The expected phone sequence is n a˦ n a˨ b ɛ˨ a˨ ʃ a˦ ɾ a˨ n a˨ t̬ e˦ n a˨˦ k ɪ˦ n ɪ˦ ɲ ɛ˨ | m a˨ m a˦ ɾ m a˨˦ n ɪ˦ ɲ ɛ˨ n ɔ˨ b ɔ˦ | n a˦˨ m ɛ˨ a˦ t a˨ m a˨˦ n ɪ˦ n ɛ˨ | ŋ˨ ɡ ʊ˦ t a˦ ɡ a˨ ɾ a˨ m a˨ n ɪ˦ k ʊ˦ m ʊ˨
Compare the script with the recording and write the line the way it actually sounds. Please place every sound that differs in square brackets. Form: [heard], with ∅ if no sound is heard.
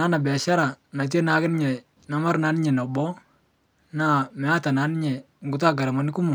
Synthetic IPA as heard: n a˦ n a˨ b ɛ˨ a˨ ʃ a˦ ɾ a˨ n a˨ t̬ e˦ n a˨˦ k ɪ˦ n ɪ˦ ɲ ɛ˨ | [n] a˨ m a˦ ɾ [n] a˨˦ n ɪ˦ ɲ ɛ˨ n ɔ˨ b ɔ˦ | n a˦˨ m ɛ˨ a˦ t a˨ [n] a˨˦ n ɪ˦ [ɲ] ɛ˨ | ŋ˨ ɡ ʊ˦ t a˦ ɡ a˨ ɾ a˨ m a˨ n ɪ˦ k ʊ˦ m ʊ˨

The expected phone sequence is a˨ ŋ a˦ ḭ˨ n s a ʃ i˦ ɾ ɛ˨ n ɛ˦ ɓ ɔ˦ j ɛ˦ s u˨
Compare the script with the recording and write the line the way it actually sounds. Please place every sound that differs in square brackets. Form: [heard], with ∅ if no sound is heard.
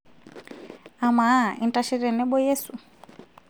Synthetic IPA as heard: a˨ [m] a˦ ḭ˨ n [t] a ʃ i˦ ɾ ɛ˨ n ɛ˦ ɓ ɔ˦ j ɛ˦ s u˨

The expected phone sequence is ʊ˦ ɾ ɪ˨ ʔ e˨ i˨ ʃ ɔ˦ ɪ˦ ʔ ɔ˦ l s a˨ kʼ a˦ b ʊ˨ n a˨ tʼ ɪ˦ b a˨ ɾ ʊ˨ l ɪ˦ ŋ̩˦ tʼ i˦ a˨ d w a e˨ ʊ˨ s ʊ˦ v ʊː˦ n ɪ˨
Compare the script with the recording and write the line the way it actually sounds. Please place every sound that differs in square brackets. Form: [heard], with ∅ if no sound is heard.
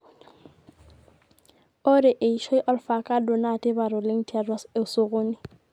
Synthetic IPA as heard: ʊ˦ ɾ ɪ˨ ʔ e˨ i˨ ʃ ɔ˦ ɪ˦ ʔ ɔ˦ l [f] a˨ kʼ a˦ [d] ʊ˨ n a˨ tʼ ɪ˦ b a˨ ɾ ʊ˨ l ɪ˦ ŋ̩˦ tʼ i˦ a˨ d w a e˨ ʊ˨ s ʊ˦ [ɣ] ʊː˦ n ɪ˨

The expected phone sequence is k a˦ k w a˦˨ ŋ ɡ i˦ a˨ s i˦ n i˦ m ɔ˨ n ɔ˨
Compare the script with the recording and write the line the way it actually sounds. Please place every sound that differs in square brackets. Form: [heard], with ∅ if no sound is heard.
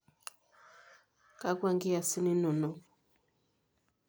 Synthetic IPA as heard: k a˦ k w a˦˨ ŋ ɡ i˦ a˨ s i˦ n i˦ [n] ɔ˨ n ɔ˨

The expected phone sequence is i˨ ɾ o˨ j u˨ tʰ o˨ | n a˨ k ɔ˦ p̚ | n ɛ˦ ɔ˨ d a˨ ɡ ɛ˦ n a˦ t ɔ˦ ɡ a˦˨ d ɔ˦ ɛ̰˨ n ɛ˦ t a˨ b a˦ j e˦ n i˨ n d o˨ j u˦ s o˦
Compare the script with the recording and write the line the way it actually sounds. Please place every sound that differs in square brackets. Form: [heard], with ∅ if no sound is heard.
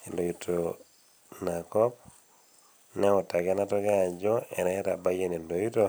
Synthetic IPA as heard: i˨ [l] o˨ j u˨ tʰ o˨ | n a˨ k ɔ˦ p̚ | n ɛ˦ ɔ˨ [t] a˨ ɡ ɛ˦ n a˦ t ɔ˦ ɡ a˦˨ [d͡ʒ] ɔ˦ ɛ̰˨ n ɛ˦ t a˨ b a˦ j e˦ n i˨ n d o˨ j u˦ [t] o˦

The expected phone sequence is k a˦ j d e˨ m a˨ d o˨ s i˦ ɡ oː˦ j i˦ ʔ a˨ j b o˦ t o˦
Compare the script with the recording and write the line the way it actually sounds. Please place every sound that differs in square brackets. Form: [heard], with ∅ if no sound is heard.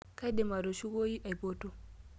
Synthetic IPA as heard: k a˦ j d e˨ m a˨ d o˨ [ʃ] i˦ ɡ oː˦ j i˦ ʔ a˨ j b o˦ t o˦

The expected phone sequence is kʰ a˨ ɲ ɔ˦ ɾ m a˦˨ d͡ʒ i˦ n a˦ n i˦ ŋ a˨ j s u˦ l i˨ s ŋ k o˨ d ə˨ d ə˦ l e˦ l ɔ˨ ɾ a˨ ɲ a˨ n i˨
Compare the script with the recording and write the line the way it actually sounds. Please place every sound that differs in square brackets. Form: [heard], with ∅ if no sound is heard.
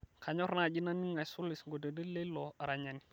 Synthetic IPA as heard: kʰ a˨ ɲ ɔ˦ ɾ [n] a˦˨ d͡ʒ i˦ n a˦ n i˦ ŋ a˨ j s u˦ l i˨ s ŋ [ɡ] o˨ d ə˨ d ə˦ l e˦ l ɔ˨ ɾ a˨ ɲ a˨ n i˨

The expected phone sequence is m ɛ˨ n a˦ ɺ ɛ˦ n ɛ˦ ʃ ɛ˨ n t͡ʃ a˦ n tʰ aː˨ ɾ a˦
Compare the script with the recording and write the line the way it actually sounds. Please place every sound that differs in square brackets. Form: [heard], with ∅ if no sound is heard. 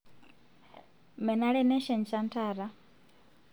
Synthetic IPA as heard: m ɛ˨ n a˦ ɺ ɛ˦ n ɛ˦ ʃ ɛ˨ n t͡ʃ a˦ n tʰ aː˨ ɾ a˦

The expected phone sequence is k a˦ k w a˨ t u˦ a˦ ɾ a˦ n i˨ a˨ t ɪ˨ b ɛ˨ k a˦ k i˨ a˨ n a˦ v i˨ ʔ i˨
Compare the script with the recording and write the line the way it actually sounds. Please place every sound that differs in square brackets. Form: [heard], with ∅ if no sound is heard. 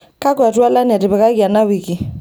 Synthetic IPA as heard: k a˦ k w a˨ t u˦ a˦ [l] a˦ n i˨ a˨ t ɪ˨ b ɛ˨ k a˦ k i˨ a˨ n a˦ [w] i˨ [k] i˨

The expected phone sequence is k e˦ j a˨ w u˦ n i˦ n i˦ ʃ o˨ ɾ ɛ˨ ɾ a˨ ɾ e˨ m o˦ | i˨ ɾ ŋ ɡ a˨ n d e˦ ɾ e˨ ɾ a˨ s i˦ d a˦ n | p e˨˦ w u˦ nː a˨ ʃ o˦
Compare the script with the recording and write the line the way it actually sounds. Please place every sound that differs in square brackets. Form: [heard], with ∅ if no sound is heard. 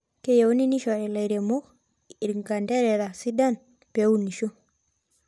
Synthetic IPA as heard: k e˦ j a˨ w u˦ n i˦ n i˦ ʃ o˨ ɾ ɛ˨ [l] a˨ ɾ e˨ m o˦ | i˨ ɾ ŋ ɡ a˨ n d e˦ ɾ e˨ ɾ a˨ s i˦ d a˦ n | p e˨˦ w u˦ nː [i˨] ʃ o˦

